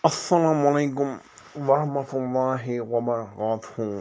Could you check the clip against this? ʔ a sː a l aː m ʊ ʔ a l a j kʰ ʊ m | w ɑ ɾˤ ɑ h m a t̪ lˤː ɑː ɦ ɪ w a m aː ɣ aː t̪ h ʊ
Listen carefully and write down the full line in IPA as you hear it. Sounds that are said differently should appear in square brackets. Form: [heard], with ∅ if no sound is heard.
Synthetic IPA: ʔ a sː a l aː m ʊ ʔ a l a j [k] ʊ m | w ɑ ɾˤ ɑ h m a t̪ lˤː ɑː ɦ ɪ w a m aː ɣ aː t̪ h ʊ